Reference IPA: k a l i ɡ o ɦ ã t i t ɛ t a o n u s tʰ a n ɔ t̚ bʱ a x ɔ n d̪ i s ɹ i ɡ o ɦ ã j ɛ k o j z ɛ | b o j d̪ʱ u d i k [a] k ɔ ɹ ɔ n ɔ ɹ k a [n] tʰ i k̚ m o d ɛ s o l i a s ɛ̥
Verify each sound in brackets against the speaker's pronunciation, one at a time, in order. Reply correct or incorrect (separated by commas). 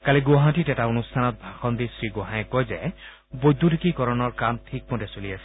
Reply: incorrect, incorrect